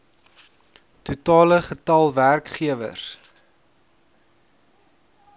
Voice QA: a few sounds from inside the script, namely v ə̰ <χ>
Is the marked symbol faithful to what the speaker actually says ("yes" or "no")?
no